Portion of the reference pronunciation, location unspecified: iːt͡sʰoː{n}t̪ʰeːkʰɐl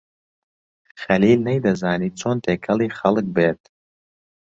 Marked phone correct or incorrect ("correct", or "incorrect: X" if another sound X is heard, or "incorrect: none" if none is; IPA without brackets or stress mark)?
correct